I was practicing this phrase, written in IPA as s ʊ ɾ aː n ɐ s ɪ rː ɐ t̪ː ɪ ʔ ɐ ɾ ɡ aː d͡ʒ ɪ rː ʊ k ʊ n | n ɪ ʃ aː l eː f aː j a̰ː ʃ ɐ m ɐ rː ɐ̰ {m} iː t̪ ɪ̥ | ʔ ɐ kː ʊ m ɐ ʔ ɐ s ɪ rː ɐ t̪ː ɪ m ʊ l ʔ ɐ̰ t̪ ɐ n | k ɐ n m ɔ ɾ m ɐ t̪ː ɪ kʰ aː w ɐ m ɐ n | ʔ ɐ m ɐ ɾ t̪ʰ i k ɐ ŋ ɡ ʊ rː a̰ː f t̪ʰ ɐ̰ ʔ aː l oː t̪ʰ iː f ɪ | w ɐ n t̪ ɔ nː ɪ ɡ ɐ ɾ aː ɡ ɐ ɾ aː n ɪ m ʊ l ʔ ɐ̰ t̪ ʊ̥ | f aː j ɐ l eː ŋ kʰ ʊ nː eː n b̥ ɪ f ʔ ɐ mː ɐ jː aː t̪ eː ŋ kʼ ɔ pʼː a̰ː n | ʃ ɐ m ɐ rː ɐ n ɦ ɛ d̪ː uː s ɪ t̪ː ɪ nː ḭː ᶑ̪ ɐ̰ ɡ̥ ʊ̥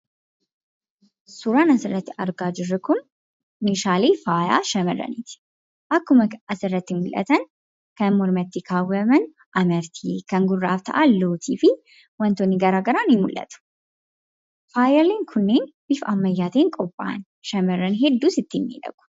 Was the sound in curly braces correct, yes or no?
no